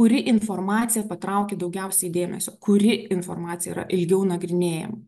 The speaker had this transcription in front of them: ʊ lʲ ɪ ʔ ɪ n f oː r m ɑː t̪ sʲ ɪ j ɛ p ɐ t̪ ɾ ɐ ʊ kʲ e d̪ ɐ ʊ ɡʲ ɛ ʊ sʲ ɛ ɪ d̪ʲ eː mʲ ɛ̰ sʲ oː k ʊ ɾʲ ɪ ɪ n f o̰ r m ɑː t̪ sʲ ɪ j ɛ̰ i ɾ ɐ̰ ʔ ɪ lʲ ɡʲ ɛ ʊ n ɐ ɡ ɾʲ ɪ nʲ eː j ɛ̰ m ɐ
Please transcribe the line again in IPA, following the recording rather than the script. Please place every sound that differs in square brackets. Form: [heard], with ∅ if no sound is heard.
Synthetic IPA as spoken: ʊ [ɾʲ] ɪ ʔ ɪ n f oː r m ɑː t̪ sʲ ɪ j ɛ p ɐ t̪ ɾ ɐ ʊ kʲ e d̪ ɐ ʊ ɡʲ ɛ ʊ sʲ ɛ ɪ d̪ʲ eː mʲ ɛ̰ sʲ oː k ʊ ɾʲ ɪ ɪ n f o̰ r m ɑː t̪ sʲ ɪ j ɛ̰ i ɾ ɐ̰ ʔ ɪ lʲ ɡʲ ɛ ʊ n ɐ ɡ ɾʲ ɪ nʲ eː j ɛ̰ m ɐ